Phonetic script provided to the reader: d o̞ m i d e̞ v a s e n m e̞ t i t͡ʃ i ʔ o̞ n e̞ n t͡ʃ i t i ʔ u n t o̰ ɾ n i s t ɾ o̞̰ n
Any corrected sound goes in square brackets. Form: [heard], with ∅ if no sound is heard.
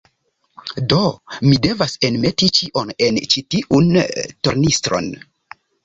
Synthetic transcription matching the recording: d o̞ m i d e̞ v a s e n m e̞ t i t͡ʃ i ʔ o̞ n e̞ n t͡ʃ i t i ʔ u n t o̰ ɾ n i s t ɾ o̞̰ n